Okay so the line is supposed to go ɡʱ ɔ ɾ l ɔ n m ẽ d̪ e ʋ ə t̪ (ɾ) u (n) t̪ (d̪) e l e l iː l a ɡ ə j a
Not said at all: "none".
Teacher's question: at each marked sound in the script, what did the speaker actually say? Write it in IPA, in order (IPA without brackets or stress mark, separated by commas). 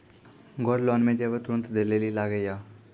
ɾ, n, d̪